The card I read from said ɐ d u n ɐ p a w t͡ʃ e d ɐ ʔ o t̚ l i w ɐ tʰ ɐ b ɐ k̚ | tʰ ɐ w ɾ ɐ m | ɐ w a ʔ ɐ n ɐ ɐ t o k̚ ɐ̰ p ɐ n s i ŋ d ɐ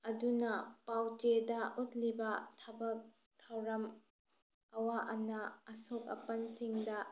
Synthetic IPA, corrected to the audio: ɐ d u n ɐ p a w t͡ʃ e d ɐ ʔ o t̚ l i b ɐ tʰ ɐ b ɐ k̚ | tʰ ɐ w ɾ ɐ m | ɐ w a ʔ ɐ n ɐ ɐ s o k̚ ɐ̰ p ɐ n s i ŋ d ɐ